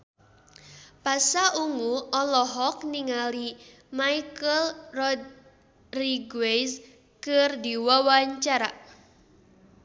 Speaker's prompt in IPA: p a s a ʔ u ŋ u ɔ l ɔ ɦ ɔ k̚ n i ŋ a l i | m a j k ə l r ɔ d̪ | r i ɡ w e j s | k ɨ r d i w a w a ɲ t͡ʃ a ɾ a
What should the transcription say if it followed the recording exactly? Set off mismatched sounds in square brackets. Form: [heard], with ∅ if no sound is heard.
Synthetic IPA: p a s a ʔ u ŋ u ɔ l ɔ ɦ ɔ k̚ n i ŋ a l i | m a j k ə l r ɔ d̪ | r i ɡ w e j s | k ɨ r d i w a w a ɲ t͡ʃ a ɾ a